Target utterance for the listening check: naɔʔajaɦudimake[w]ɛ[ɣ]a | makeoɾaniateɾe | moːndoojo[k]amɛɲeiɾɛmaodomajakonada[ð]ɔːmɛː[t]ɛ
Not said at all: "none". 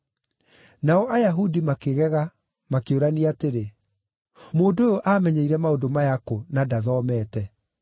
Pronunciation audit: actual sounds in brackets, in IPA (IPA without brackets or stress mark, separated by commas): ɣ, ɣ, ʔ, ð, t